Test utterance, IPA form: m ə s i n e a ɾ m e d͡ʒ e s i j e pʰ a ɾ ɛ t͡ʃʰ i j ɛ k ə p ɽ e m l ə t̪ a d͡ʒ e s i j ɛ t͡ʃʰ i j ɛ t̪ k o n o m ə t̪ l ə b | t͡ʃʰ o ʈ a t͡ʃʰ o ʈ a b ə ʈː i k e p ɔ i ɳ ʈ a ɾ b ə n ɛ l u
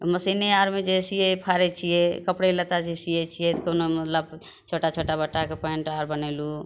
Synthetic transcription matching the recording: m ə s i n e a ɾ m e d͡ʒ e s i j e pʰ a ɾ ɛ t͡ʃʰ i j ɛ k ə p ɽ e l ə t̪ a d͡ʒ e s i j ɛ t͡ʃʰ i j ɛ t̪ k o n o m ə t̪ l ə b | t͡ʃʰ o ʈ a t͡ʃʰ o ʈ a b ə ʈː a k e p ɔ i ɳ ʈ a ɾ b ə n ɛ l u